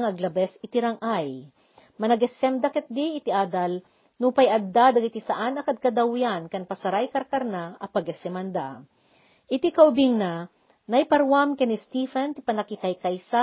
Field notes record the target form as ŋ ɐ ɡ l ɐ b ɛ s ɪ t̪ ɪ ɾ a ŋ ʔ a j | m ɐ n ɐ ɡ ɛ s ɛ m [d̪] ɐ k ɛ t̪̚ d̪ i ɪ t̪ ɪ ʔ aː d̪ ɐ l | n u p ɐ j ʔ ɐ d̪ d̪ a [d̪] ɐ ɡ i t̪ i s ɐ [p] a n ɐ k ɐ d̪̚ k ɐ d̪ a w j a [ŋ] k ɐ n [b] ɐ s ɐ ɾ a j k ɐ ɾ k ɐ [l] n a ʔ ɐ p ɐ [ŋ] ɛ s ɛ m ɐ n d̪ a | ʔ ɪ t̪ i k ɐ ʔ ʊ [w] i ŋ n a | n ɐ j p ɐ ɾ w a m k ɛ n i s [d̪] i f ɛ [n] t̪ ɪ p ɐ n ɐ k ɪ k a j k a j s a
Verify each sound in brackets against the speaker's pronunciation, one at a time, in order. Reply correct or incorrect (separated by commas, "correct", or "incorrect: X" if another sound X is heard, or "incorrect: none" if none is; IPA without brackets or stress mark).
correct, correct, incorrect: ʔ, incorrect: n, incorrect: p, incorrect: ɾ, incorrect: ɡ, incorrect: b, incorrect: t̪, correct